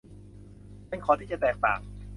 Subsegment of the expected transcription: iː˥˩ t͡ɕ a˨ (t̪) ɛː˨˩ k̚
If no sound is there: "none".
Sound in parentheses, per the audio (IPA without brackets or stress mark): t̪